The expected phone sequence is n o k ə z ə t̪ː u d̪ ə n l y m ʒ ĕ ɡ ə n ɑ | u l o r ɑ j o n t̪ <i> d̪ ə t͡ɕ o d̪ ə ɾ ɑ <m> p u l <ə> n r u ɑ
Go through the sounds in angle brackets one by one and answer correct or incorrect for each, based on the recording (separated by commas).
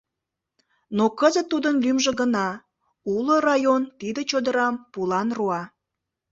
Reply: correct, correct, incorrect